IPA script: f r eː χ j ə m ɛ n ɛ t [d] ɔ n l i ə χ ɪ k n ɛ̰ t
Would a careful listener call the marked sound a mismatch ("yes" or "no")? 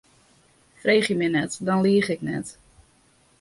no